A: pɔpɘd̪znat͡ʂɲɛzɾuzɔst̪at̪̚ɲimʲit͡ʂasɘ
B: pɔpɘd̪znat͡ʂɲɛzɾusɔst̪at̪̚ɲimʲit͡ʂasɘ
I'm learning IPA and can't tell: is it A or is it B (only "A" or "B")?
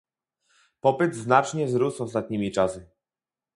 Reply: B